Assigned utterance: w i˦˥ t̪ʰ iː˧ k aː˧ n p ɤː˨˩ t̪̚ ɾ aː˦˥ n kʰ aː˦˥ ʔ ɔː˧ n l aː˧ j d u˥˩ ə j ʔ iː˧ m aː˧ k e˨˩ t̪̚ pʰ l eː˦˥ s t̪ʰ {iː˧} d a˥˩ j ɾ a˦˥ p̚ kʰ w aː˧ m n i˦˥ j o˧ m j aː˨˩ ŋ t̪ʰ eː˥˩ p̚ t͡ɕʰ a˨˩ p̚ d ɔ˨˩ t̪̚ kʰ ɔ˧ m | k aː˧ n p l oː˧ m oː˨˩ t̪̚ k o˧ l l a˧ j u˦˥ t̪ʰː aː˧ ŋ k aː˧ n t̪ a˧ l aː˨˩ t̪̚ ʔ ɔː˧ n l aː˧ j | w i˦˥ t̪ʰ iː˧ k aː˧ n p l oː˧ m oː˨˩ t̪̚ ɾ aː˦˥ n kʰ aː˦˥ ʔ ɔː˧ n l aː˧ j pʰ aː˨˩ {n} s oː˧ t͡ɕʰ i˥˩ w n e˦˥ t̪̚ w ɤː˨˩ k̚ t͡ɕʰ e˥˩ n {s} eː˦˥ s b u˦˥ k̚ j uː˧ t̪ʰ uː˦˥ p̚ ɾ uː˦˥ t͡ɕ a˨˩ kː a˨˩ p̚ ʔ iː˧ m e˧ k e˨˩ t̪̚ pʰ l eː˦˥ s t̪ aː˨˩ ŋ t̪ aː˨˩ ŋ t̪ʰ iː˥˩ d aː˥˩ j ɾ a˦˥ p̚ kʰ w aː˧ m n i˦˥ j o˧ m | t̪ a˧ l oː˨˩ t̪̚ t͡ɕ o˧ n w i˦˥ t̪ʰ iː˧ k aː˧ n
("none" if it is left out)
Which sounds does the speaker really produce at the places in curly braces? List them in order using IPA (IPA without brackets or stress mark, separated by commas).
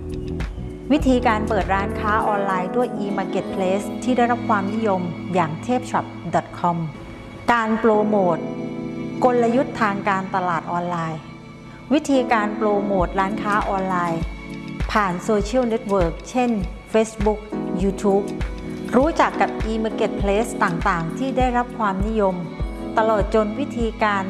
iː˥˩, n, f